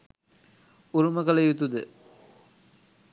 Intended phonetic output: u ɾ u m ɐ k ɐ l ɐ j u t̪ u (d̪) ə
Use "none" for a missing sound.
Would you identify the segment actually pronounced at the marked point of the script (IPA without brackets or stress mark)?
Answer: d̪